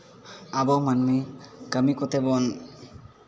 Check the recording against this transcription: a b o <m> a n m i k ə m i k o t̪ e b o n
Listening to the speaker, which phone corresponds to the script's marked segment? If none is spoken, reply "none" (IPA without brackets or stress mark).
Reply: m